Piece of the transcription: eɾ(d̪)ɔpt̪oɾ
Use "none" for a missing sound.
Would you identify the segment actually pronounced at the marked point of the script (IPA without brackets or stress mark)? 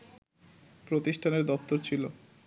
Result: d̪